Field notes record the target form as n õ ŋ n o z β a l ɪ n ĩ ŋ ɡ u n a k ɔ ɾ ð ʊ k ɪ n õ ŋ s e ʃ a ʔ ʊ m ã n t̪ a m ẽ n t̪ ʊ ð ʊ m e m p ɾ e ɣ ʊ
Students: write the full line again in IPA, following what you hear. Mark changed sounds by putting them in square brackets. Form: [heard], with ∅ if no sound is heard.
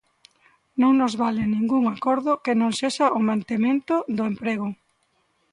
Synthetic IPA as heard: n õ ŋ n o z β a l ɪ n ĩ ŋ ɡ u [ŋ] a k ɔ ɾ ð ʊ k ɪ n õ ŋ s e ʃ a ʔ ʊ m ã n t̪ [e] m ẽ n t̪ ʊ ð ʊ [∅] e m p ɾ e ɣ ʊ